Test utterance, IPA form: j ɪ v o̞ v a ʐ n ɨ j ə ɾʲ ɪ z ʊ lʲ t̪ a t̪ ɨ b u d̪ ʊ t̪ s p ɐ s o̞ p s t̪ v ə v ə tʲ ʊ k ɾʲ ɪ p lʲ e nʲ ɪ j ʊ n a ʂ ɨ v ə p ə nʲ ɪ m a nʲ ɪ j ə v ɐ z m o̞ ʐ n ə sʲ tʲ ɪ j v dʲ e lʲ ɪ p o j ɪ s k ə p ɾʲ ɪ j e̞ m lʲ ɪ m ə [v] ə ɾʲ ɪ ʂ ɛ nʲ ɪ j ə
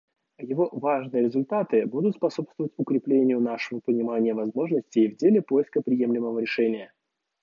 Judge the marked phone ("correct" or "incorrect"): correct